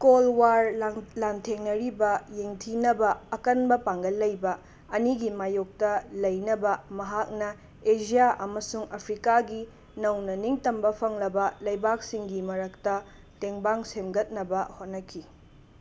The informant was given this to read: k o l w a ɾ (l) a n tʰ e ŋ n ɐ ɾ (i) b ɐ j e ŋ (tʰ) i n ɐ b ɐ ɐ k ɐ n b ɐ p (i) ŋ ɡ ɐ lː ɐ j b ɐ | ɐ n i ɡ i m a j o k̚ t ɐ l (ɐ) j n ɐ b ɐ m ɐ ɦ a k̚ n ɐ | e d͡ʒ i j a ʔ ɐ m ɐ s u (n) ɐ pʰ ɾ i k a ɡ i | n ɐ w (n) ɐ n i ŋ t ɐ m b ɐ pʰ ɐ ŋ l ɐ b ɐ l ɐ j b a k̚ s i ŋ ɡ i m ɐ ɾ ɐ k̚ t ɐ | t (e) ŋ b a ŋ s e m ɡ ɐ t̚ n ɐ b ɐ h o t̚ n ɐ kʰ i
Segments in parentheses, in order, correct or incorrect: correct, correct, correct, incorrect, correct, incorrect, correct, correct

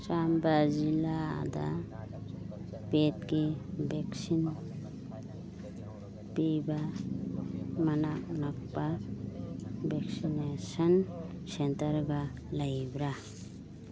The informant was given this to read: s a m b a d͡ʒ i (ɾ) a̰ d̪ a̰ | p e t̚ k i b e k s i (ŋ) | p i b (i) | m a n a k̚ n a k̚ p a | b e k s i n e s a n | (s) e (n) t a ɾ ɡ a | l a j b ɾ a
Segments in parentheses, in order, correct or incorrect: incorrect, incorrect, incorrect, correct, correct

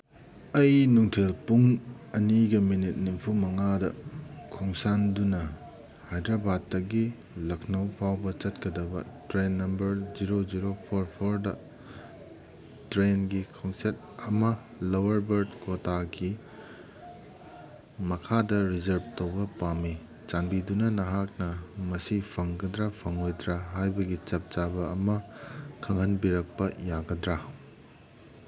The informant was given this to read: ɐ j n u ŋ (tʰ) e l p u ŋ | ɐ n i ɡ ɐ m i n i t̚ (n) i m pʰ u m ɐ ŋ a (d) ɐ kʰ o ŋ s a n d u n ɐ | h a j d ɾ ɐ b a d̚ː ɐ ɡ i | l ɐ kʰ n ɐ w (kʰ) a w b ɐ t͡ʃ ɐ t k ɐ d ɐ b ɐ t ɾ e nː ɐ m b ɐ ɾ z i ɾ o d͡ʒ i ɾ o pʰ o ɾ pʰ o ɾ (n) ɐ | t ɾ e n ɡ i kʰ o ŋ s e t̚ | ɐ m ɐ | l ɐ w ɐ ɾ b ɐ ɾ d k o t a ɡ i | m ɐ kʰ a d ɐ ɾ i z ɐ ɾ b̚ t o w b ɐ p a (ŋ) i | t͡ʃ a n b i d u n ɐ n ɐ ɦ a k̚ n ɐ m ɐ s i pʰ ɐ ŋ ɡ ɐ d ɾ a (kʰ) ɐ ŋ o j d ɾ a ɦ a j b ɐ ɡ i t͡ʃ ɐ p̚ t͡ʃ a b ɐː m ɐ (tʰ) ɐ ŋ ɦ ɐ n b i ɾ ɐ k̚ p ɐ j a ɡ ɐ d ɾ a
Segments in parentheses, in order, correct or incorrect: correct, correct, correct, incorrect, incorrect, incorrect, incorrect, incorrect

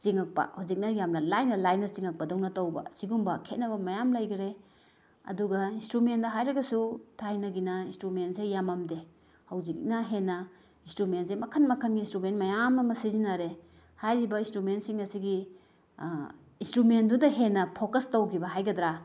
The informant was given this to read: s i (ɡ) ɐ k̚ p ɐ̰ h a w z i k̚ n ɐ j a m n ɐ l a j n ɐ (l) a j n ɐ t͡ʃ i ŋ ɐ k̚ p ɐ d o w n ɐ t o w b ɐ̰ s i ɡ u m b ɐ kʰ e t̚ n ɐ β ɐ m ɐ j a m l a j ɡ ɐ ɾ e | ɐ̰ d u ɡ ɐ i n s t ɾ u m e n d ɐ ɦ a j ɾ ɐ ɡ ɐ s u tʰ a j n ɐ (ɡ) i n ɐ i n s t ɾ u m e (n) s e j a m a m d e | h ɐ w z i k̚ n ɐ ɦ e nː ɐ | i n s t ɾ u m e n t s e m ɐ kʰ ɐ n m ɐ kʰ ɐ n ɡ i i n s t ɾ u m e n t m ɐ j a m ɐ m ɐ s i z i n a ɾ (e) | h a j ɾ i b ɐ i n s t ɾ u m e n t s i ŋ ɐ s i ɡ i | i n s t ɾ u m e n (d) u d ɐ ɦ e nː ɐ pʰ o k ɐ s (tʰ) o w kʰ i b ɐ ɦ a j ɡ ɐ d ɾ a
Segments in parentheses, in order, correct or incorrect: incorrect, correct, correct, correct, correct, correct, incorrect

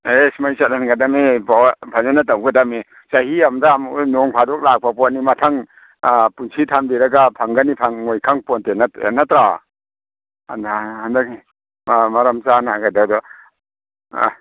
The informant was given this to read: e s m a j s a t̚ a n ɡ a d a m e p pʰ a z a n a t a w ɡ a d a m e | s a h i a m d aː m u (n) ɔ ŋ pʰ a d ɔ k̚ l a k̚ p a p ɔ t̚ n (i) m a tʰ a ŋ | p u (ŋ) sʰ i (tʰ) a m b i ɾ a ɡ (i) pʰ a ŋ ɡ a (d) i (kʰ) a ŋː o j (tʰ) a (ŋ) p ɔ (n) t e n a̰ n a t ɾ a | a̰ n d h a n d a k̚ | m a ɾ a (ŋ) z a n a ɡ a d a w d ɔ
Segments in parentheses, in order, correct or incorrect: correct, correct, incorrect, correct, incorrect, incorrect, incorrect, incorrect, correct, correct, incorrect

